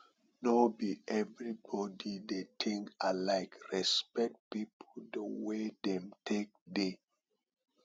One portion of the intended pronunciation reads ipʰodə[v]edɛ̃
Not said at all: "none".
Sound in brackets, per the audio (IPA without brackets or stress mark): w